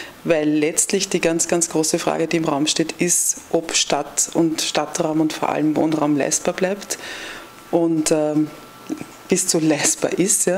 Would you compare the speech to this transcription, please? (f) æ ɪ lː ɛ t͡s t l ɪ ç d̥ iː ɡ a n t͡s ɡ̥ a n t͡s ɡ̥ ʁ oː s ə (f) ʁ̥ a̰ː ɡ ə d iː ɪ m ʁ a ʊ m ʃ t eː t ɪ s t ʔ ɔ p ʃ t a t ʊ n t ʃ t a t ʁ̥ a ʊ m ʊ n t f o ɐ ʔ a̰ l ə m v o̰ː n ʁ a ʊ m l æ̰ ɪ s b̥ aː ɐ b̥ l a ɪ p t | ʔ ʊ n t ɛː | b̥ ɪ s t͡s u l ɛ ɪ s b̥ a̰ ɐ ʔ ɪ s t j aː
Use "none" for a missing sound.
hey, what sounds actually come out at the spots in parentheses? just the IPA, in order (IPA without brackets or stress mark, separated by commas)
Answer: v, f